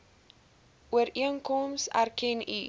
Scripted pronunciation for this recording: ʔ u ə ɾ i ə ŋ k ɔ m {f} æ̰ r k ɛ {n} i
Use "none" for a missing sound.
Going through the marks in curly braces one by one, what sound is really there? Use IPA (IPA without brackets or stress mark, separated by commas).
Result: s, n